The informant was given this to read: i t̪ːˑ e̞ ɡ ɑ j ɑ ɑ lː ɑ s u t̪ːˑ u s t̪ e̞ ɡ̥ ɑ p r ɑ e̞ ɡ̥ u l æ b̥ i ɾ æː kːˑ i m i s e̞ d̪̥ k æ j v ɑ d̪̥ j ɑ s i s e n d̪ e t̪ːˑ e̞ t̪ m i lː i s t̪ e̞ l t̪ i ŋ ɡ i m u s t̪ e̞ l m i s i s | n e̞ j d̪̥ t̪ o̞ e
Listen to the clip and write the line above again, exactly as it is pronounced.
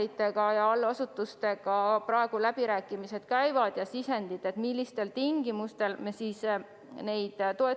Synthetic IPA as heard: i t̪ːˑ e̞ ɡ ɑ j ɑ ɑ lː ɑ s u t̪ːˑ u s t̪ e̞ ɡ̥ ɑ p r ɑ e̞ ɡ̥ u l æ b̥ i ɾ æː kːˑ i m i s e̞ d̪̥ k æ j v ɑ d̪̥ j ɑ s i s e n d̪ i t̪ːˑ e̞ t̪ m i lː i s t̪ e̞ l t̪ i ŋ ɡ i m u s t̪ e̞ l m e s i s | n e̞ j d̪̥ t̪ o̞ e